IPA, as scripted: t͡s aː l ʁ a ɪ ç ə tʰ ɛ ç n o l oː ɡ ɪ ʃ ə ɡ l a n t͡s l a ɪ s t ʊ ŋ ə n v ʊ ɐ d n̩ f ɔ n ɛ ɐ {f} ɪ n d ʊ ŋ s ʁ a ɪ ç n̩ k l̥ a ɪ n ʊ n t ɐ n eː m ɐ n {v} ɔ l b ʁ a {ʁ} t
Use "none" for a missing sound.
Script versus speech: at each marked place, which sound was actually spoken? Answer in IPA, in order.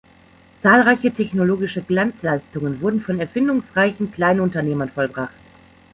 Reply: f, f, χ

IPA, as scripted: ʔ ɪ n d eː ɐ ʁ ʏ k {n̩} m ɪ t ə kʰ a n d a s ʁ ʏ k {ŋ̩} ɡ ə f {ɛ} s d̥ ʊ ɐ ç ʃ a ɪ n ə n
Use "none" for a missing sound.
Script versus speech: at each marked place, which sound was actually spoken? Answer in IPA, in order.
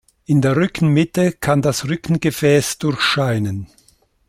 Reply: n̩, n̩, ɛː

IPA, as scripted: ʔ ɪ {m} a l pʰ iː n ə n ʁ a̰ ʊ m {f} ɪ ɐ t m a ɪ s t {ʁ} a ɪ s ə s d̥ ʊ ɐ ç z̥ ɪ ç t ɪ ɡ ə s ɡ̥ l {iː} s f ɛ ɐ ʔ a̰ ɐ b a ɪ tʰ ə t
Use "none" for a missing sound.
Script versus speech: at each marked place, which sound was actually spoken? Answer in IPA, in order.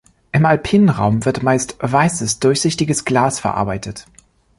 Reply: m, v, v, aː

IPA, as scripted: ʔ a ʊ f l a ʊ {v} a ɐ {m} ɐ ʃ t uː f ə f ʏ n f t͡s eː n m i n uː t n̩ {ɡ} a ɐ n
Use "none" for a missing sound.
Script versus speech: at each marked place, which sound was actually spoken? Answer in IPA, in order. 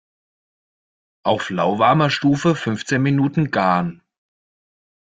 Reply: v, m, ɡ

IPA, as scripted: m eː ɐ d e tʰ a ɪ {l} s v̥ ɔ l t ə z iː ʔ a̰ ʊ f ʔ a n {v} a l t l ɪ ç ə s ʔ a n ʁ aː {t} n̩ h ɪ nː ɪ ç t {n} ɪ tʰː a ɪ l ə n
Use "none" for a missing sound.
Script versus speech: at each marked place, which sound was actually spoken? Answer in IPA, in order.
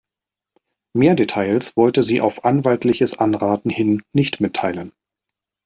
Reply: l, v, t, m

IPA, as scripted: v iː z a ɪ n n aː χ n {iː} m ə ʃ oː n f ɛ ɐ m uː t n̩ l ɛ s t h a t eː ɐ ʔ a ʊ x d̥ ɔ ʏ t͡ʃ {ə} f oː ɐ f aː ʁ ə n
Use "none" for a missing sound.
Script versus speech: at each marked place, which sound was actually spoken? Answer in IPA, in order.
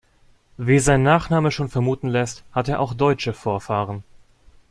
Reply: aː, ə

